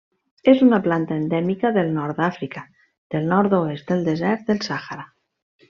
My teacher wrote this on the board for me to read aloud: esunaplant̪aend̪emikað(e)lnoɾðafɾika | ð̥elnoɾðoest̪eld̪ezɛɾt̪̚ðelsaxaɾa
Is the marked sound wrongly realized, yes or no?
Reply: no